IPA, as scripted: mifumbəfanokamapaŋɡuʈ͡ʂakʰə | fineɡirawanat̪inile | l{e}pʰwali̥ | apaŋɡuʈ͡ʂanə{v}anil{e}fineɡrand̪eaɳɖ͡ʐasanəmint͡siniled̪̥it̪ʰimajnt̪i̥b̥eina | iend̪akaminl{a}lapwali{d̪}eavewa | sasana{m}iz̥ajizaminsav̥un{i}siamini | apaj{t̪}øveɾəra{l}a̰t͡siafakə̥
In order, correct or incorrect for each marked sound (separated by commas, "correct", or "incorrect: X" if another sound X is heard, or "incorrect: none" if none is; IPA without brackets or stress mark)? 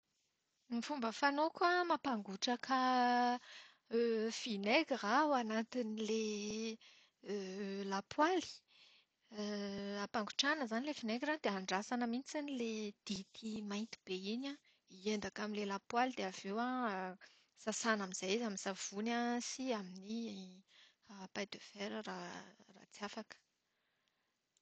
incorrect: a, incorrect: z, correct, incorrect: e, correct, correct, incorrect: a, incorrect: d̪, incorrect: r